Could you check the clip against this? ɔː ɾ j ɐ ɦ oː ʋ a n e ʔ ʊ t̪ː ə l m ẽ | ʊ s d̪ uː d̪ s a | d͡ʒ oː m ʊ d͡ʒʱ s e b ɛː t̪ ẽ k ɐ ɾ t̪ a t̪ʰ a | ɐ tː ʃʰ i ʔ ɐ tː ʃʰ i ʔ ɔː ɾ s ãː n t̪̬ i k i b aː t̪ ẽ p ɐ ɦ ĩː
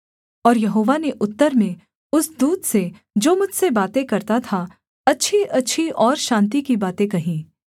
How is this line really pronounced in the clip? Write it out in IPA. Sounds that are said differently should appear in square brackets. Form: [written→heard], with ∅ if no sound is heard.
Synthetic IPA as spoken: ɔː ɾ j ɐ ɦ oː ʋ a n e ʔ ʊ t̪ː ə [l→ɾ] m ẽ | ʊ s d̪ uː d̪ s [a→e] | d͡ʒ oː m ʊ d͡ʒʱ s e b [ɛː→aː] t̪ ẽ k ɐ ɾ t̪ a t̪ʰ a | ɐ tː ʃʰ i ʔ ɐ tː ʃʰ i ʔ ɔː ɾ [s→ʃ] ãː n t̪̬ i k i b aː t̪ ẽ [p→k] ɐ ɦ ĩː